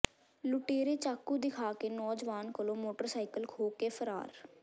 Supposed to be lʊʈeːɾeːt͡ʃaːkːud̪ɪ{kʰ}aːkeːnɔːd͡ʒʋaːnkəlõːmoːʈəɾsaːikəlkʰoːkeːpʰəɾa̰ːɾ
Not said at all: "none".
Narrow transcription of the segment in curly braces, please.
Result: kʰ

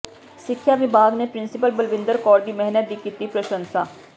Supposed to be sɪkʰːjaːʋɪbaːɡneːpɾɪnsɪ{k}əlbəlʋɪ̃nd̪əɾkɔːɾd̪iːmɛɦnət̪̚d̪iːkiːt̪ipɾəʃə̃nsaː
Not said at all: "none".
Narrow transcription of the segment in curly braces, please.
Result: p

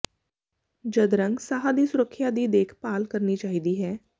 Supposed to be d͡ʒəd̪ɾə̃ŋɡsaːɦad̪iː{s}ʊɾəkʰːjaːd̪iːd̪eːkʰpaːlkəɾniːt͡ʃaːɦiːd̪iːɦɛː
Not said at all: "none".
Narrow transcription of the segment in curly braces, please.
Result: s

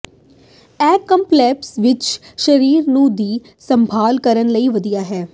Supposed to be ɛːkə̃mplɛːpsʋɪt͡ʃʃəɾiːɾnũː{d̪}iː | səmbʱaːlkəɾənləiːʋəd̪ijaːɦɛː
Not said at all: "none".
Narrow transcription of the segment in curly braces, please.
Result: d̪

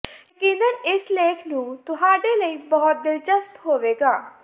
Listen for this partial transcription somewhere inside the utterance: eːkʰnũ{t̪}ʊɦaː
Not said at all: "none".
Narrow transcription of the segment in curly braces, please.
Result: t̪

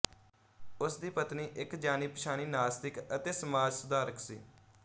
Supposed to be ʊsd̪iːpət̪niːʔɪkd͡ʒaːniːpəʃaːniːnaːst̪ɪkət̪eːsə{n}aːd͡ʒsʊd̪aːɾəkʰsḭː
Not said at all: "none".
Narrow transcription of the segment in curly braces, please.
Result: m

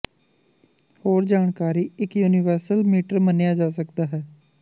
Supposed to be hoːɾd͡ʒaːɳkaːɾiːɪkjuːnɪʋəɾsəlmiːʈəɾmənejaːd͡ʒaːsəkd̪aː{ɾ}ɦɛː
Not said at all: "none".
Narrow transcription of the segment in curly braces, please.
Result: none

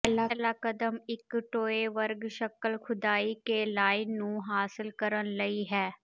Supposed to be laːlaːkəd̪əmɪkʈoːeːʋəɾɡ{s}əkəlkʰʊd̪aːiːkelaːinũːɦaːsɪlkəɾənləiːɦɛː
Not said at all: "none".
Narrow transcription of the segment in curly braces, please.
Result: ʃ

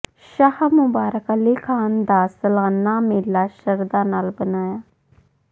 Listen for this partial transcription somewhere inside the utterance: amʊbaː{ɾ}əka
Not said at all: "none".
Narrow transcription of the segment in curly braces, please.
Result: ɾ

